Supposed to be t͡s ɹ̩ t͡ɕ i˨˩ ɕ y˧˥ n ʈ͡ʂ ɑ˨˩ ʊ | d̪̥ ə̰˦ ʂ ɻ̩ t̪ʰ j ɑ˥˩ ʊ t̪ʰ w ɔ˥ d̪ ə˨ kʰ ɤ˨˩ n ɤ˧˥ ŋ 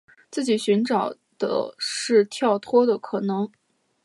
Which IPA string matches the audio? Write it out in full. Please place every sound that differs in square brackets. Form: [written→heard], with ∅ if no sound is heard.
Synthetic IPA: t͡s ɹ̩ t͡ɕ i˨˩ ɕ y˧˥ n ʈ͡ʂ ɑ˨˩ ʊ | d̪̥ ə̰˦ ʂ ɻ̩ t̪ʰ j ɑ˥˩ ʊ t̪ʰ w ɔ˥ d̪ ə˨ kʰ ɤ˨˩ n ɤ˧˥ ŋ